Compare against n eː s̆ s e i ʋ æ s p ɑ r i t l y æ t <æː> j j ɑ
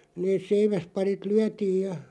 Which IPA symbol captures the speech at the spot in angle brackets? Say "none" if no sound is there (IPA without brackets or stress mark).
iː